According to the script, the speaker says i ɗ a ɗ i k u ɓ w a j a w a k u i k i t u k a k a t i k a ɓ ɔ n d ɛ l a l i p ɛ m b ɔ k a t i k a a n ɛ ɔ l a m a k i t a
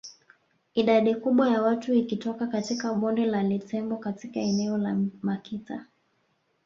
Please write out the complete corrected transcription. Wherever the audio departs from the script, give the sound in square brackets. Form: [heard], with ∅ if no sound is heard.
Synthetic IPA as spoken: i ɗ a ɗ i k u ɓ w a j a w a [t] u i k i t [ɔ] k a k a t i k a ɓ ɔ n d ɛ l a l i [t] ɛ m b ɔ k a t i k a [ɛ] n ɛ ɔ l a m a k i t a